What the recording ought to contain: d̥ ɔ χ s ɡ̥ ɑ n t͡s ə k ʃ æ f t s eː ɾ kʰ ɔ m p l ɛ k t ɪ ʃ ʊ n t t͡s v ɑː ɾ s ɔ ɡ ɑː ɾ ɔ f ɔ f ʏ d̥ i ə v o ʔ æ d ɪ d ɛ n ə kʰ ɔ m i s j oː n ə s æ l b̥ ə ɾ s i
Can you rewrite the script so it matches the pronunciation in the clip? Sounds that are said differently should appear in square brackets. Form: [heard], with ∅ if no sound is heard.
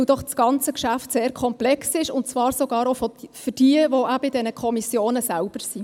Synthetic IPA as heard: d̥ ɔ χ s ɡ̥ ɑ n t͡s ə k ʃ æ f t s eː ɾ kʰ ɔ m p l ɛ k [s] ɪ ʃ ʊ n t t͡s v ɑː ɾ s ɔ ɡ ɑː ɾ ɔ f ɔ f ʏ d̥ i ə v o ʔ æ [b] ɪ d ɛ n ə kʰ ɔ m i s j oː n ə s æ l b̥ ə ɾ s i